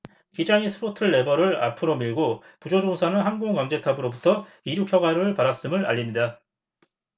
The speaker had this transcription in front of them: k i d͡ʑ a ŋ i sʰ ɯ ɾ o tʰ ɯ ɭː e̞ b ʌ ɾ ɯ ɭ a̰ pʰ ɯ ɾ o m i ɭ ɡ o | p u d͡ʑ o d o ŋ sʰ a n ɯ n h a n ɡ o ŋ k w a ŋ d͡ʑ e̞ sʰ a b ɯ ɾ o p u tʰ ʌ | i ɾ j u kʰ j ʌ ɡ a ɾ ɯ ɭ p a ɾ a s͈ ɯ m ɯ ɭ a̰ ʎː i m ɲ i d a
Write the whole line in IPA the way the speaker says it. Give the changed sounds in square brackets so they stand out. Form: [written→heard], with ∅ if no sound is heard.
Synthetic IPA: k i d͡ʑ a ŋ i sʰ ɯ ɾ o tʰ ɯ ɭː e̞ b ʌ ɾ ɯ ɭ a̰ pʰ ɯ ɾ o m i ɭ ɡ o | p u d͡ʑ o [d→d͡ʑ] o ŋ sʰ a n ɯ n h a n ɡ o ŋ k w a ŋ d͡ʑ e̞ [sʰ→tʰ] a b ɯ ɾ o [p→b] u tʰ ʌ | i ɾ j u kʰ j ʌ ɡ a ɾ ɯ ɭ p a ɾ a s͈ ɯ m ɯ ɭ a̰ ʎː i m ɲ i d a

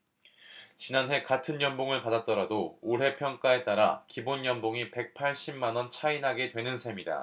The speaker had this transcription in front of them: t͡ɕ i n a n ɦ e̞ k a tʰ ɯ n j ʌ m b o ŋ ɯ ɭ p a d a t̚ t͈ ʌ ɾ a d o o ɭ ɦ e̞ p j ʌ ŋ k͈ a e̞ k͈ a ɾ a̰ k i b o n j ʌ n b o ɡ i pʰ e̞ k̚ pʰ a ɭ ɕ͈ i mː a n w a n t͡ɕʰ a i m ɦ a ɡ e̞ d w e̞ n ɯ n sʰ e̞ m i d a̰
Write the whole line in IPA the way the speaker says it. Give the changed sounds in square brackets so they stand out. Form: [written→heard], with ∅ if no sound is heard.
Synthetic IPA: t͡ɕ i n a n ɦ e̞ k a tʰ ɯ n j ʌ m b o ŋ ɯ ɭ p a d a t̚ t͈ ʌ ɾ a d o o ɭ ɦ e̞ [p→pʰ] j ʌ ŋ k͈ a e̞ [k͈→t͈] a ɾ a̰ k i b o n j ʌ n b o [ɡ→ŋ] i [pʰ→p] e̞ k̚ pʰ a ɭ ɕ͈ i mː a n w [a→ʌ] n t͡ɕʰ a i [m→n] ɦ a ɡ e̞ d w e̞ n ɯ n sʰ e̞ m i d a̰

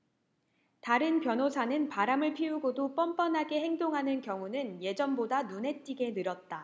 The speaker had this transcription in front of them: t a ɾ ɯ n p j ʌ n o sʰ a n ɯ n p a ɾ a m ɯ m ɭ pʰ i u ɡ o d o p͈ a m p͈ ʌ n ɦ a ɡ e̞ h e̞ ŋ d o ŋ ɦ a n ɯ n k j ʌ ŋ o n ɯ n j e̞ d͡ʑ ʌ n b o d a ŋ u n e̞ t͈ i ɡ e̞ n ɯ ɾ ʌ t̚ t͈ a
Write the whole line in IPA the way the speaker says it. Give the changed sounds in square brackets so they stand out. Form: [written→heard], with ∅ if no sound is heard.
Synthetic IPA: t a ɾ ɯ n p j ʌ n o sʰ a n ɯ n p a ɾ a m ɯ [m→∅] ɭ pʰ i u ɡ o d o p͈ [a→ʌ] m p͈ ʌ n ɦ a ɡ e̞ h e̞ ŋ d o ŋ ɦ a n ɯ n k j ʌ ŋ [o→u] n ɯ n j e̞ d͡ʑ ʌ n b o d a [ŋ→n] u n e̞ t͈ i ɡ e̞ n ɯ ɾ ʌ t̚ t͈ a

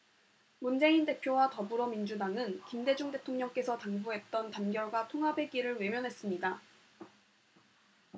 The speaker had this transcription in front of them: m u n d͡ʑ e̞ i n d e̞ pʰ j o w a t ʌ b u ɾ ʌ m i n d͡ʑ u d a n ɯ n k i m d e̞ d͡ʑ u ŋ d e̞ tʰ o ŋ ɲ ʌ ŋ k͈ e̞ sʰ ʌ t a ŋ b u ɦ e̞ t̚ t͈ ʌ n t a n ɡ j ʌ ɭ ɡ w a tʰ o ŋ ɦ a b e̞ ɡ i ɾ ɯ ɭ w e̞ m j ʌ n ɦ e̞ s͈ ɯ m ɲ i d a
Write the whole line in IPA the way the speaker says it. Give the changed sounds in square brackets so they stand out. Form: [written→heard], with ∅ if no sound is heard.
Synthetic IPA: m u n d͡ʑ e̞ i n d e̞ pʰ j o w a t ʌ b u ɾ ʌ m i n d͡ʑ u d a [n→ŋ] ɯ n k i m d e̞ d͡ʑ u ŋ d e̞ tʰ o ŋ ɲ ʌ ŋ k͈ e̞ sʰ ʌ t a ŋ b u ɦ e̞ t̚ t͈ ʌ n t a n ɡ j ʌ ɭ ɡ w a tʰ o ŋ ɦ a b e̞ ɡ i ɾ ɯ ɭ w e̞ m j ʌ n ɦ e̞ s͈ ɯ m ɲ i d a

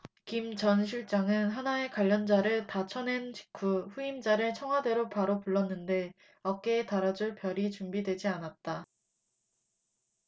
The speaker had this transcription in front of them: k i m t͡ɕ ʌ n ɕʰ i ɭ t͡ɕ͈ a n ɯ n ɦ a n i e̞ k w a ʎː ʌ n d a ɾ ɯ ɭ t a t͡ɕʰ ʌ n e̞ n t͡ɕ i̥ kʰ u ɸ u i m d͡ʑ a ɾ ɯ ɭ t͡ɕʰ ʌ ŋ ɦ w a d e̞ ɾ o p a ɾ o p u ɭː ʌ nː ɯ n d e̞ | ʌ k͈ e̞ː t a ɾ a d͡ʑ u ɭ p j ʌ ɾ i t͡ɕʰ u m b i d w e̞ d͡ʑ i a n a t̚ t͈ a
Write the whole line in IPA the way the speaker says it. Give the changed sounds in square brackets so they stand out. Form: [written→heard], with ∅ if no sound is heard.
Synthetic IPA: k i m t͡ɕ ʌ n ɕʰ i ɭ t͡ɕ͈ a [n→ŋ] ɯ n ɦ a n [i→a] e̞ k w a ʎː ʌ n [d→d͡ʑ] a ɾ ɯ ɭ t a t͡ɕʰ ʌ n e̞ n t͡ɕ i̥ kʰ u ɸ u i m d͡ʑ a ɾ ɯ ɭ t͡ɕʰ ʌ ŋ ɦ w a d e̞ ɾ o p a ɾ o p u ɭː ʌ nː ɯ n d e̞ | ʌ k͈ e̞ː t a ɾ a d͡ʑ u ɭ p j ʌ ɾ i [t͡ɕʰ→t͡ɕ] u m b i d w e̞ d͡ʑ i a n a t̚ t͈ a

